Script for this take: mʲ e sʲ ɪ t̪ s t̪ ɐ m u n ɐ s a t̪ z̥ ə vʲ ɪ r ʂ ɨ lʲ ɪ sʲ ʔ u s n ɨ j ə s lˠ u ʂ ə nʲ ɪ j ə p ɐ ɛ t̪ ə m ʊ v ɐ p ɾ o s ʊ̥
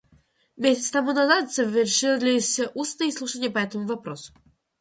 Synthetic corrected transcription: mʲ e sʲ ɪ t̪ s t̪ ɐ m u n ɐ z a t̪ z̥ ə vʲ ɪ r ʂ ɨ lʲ ɪ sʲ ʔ u s n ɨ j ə s lˠ u ʂ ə nʲ ɪ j ə p ɐ ɛ t̪ ə m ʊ v ɐ p ɾ o s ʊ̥